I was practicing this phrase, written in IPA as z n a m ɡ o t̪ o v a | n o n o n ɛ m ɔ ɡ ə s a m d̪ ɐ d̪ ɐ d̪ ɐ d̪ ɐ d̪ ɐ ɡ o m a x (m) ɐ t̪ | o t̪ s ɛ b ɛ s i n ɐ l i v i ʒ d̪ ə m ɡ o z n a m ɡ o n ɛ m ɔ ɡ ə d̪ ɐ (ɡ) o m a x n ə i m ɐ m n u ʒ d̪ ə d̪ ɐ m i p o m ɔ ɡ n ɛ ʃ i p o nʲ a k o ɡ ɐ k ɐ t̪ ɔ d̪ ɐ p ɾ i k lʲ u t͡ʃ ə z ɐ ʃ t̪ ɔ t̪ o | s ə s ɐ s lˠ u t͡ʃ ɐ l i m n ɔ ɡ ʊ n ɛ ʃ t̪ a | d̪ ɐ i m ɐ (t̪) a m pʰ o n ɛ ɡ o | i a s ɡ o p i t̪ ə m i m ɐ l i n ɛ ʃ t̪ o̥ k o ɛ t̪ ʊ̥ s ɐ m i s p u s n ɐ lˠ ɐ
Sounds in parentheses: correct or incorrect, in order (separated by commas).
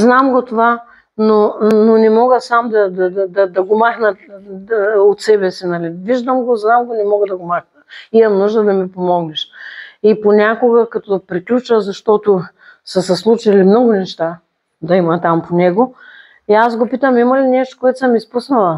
incorrect, correct, correct